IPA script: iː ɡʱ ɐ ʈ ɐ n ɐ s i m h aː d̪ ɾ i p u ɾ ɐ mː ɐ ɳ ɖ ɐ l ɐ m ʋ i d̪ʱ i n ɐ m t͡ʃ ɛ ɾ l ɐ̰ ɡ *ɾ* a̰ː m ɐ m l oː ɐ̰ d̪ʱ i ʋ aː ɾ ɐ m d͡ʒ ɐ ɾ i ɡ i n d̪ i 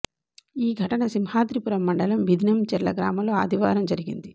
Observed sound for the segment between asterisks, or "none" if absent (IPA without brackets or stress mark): ɾ